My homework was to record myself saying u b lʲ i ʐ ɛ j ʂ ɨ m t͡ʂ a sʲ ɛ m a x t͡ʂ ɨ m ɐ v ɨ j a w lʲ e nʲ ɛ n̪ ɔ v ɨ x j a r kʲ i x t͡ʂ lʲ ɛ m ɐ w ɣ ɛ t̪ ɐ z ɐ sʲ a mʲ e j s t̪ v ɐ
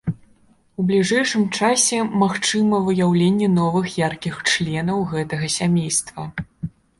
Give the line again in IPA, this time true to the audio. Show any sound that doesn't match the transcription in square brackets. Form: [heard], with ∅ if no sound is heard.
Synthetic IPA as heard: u b lʲ i ʐ ɛ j ʂ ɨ m t͡ʂ a sʲ ɛ m a x t͡ʂ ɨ m ɐ v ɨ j a w lʲ e [nʲː] ɛ n̪ ɔ v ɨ x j a r kʲ i x t͡ʂ lʲ ɛ [n] ɐ w ɣ ɛ t̪ ɐ [ɣ] ɐ sʲ a mʲ e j s t̪ v ɐ